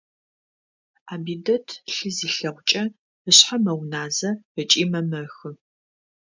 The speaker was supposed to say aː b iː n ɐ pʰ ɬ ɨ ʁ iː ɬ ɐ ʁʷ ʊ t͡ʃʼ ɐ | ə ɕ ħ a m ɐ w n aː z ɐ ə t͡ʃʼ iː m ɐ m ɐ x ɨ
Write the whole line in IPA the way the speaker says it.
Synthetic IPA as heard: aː b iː d ɐ tʰ ɬ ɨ z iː ɬ ɐ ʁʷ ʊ t͡ʃʼ ɐ | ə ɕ ħ a m ɐ w n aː z ɐ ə t͡ʃʼ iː m ɐ m ɐ x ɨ